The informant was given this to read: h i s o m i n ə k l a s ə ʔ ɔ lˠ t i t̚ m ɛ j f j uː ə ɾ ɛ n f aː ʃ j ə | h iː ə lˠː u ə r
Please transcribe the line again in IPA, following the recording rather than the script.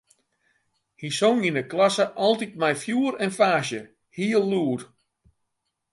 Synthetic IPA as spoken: h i s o ŋ i n ə k l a s ə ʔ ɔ lˠ t i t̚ m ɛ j f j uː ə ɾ ɛ n f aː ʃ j ə | h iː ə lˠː u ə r